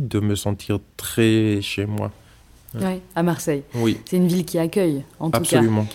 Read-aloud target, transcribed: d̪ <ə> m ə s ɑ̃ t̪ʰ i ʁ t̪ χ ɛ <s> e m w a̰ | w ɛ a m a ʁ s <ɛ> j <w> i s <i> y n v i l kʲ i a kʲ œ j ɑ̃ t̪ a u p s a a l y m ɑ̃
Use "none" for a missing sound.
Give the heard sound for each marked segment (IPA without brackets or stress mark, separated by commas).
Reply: ə, ʃ, ɛ, w, ɛ